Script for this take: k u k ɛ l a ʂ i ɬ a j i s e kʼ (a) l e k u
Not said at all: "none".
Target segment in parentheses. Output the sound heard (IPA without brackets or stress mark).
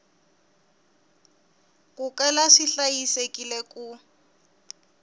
i